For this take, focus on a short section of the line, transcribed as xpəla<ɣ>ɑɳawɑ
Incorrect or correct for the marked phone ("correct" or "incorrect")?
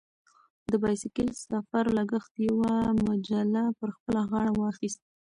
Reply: correct